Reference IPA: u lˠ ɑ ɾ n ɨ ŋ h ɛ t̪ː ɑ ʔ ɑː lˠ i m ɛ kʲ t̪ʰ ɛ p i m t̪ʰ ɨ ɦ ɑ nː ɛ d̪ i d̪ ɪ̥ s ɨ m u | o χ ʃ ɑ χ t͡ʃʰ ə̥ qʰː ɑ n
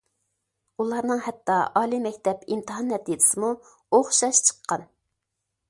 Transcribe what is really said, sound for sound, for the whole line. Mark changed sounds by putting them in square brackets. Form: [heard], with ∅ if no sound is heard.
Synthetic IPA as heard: u lˠ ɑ ɾ n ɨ ŋ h ɛ t̪ː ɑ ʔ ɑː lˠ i m ɛ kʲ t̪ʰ ɛ p i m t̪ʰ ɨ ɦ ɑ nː ɛ [t̪] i d̪ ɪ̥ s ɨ m u | o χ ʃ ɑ [ʃ] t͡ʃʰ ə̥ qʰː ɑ n